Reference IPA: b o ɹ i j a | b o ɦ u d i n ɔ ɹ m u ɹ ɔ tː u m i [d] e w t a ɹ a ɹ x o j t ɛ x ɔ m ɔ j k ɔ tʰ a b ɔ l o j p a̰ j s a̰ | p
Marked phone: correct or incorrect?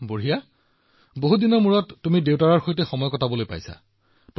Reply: correct